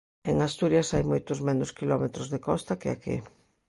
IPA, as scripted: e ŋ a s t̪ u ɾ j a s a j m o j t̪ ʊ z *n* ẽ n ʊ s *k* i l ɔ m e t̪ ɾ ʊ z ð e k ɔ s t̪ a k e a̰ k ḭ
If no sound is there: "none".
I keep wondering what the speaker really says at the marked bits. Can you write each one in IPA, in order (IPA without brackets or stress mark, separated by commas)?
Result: m, k